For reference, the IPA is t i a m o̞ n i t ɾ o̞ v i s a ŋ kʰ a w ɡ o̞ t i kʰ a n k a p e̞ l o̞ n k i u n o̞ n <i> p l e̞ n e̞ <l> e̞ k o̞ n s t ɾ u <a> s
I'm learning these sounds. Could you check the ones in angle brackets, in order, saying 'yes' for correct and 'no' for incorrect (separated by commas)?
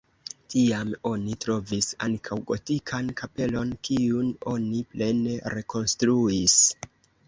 yes, no, no